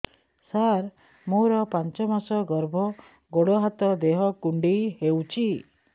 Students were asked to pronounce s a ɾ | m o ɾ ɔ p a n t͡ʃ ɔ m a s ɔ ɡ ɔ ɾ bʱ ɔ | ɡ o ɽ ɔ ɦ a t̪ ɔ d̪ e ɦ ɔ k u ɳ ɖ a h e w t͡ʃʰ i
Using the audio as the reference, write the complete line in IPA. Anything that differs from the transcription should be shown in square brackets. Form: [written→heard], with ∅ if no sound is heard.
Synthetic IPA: s a ɾ | m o ɾ ɔ p a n t͡ʃ ɔ m a s ɔ ɡ ɔ ɾ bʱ ɔ | ɡ o ɽ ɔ ɦ a t̪ ɔ d̪ e ɦ ɔ k u ɳ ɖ [a→i] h e w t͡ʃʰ i